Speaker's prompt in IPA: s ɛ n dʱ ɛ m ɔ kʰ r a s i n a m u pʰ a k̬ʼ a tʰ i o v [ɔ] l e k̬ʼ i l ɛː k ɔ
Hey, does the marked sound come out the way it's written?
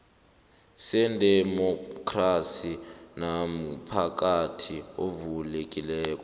no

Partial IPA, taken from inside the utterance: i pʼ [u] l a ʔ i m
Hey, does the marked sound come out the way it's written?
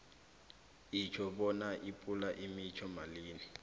yes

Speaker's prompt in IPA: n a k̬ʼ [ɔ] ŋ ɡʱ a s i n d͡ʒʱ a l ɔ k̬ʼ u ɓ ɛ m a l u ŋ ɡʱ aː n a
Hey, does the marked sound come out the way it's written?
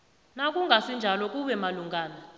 no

